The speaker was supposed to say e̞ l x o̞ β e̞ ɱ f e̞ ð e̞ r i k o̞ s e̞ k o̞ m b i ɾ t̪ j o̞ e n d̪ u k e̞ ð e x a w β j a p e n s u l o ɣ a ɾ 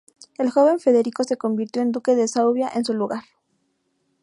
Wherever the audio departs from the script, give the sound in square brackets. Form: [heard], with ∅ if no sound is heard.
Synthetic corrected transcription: e̞ l x o̞ β e̞ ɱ f e̞ ð e̞ [ɾ] i k o̞ s e̞ k o̞ m b i ɾ t̪ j o̞ e n d̪ u k e̞ ð e [s] a w β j a [ʔ] e n s u l [u] ɣ a ɾ